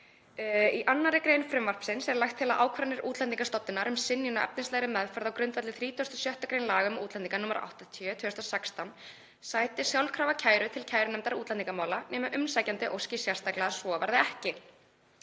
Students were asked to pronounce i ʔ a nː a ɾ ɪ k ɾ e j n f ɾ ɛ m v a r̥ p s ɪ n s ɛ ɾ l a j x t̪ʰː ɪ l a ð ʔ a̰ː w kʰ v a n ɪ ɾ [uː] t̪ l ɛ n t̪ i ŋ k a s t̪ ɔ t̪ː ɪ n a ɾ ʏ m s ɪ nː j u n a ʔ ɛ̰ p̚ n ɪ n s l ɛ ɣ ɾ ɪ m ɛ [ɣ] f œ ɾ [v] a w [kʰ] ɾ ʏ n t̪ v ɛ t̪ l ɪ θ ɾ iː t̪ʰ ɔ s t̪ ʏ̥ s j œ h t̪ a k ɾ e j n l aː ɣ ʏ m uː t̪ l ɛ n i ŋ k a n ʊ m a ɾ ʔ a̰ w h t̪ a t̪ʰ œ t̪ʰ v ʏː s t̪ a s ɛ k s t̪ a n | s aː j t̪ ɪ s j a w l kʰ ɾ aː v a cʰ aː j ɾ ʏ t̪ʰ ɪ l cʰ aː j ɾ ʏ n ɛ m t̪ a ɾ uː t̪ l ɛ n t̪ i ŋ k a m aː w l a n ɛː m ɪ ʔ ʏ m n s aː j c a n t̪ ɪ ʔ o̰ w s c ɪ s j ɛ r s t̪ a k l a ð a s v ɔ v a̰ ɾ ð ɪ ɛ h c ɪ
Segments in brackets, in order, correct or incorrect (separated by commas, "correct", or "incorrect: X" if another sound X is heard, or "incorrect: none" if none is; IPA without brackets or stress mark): correct, incorrect: ð, incorrect: ð, incorrect: k